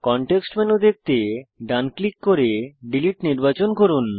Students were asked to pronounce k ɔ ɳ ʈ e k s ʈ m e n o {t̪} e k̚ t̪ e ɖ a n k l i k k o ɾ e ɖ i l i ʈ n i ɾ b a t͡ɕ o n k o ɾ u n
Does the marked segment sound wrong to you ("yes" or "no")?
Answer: yes